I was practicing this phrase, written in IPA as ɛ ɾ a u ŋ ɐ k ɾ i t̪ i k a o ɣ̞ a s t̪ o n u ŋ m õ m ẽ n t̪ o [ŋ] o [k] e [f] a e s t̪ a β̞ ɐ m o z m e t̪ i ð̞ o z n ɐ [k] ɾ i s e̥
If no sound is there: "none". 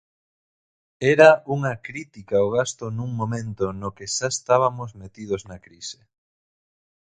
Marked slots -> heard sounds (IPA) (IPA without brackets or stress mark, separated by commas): n, k, ʃ, k